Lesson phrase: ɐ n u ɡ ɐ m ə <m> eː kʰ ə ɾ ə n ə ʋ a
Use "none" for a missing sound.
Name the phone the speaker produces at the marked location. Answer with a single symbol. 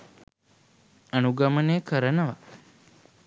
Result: n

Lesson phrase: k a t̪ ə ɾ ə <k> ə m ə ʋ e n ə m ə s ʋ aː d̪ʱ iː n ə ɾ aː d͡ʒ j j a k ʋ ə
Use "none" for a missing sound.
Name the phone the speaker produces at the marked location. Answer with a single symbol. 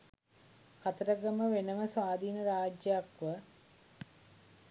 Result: ɡ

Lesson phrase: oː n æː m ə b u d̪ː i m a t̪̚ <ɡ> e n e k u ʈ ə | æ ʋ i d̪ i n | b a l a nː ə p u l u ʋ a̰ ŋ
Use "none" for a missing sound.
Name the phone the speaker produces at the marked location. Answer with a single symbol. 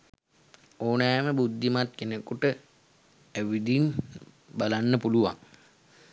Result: k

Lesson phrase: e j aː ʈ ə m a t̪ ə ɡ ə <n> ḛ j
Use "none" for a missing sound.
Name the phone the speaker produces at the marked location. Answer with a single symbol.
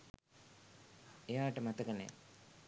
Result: n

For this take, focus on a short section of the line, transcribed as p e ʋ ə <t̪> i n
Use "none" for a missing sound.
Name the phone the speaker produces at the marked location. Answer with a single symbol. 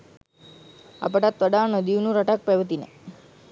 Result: t̪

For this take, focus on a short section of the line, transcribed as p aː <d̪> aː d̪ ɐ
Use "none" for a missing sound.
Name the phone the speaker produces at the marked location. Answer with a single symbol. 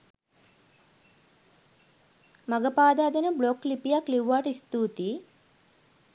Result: d̪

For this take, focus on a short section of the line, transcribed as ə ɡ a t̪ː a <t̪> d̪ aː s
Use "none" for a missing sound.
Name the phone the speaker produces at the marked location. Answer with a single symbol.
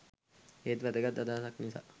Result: none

